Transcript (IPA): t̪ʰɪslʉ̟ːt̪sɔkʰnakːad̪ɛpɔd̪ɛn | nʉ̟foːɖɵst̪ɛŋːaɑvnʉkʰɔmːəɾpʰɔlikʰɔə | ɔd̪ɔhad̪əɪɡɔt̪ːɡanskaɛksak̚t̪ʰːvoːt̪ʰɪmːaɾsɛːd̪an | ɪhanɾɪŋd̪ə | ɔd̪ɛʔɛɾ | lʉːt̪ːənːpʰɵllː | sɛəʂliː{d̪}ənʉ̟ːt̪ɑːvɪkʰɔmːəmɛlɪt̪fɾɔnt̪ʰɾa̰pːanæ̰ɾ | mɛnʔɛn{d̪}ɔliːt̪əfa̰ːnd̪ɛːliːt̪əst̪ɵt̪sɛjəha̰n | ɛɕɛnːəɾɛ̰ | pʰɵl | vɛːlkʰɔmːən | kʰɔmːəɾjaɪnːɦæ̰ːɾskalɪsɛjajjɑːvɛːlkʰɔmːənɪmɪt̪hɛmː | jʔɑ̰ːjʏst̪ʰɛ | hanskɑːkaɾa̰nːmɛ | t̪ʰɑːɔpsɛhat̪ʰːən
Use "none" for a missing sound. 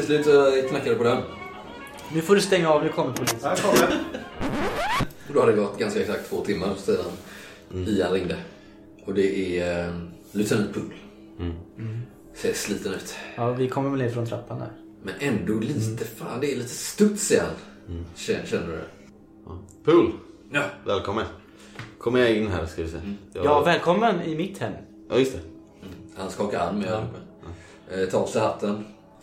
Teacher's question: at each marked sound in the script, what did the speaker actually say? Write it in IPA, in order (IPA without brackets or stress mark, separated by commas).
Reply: t̪, d̪